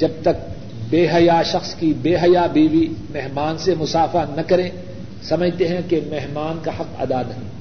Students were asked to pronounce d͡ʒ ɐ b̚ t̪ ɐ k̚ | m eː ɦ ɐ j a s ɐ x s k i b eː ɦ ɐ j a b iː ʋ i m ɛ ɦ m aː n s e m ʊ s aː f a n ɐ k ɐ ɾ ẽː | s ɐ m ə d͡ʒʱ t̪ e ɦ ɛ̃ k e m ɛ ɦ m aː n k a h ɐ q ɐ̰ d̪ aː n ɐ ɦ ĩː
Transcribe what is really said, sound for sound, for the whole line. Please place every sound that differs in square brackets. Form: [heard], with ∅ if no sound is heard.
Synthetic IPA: d͡ʒ ɐ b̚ t̪ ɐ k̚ | [b] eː ɦ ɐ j a [ʃ] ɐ x s k i b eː ɦ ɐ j a b iː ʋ i m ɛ ɦ m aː n s e m ʊ s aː f a n ɐ k ɐ ɾ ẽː | s ɐ m ə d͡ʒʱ t̪ e ɦ ɛ̃ k e m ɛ ɦ m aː n k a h ɐ q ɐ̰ d̪ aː n ɐ ɦ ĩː